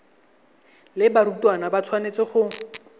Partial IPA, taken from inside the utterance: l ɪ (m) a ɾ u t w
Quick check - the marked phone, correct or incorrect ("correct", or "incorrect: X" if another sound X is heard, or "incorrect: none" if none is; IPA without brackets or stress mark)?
incorrect: b